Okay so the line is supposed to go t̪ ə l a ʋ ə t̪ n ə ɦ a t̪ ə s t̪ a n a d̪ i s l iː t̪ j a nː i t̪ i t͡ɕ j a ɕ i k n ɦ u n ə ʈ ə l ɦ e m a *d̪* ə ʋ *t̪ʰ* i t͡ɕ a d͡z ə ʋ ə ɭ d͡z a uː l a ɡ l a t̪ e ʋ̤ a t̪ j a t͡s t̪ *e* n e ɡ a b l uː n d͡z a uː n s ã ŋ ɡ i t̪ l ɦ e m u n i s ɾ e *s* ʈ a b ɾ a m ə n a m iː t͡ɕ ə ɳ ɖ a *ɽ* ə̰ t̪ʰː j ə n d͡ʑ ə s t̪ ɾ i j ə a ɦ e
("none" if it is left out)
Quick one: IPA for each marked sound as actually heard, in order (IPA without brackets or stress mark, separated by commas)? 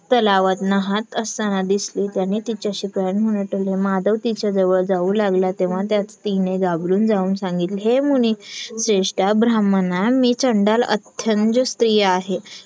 d̪, t̪, i, ʂ, l